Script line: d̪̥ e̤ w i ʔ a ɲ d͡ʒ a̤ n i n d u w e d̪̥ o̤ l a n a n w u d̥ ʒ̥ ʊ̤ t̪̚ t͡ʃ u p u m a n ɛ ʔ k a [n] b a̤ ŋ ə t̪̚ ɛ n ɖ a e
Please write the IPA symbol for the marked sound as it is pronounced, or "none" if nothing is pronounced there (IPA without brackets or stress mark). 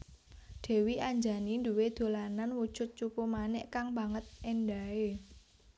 ŋ